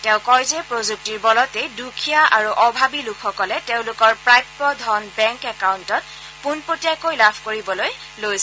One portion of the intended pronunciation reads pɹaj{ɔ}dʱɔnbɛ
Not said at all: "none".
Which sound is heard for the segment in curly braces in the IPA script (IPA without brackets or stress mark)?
ɔ